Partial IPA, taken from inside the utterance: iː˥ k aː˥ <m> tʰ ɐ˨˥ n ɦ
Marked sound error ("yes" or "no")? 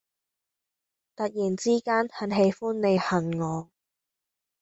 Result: yes